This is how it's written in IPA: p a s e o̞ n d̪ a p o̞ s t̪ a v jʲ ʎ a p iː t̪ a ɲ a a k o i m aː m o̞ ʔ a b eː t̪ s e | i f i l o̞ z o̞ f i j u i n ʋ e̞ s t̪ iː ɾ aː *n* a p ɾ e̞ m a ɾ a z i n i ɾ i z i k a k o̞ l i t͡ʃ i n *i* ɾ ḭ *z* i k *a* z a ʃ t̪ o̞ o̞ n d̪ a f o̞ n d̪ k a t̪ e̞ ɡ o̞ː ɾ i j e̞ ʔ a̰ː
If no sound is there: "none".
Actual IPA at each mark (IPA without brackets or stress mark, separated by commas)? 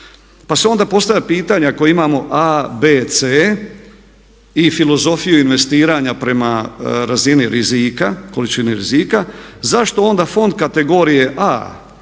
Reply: ɲ, i, z, a